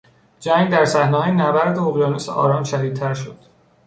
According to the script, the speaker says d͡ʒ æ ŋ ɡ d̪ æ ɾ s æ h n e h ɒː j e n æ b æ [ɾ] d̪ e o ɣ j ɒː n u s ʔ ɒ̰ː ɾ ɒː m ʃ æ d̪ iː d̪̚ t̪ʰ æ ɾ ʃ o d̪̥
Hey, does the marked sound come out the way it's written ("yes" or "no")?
yes